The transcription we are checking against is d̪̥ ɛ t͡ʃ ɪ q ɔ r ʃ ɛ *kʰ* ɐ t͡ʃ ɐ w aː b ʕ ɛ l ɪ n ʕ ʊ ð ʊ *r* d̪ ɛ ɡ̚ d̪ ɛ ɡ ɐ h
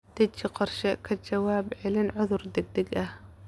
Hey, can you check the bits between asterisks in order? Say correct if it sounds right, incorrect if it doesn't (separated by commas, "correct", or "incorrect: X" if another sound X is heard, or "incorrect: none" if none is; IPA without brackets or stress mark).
correct, correct